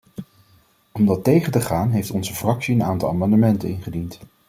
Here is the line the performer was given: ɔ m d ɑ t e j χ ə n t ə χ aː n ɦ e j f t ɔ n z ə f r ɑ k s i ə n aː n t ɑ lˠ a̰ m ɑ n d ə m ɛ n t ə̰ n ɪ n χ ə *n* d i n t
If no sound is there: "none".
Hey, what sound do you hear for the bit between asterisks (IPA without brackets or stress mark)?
none